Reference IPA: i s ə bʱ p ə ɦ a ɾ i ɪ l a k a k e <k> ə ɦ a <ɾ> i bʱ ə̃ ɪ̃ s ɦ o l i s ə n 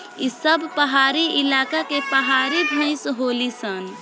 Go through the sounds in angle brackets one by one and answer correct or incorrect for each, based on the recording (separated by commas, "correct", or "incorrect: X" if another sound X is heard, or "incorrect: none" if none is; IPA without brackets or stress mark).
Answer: incorrect: p, correct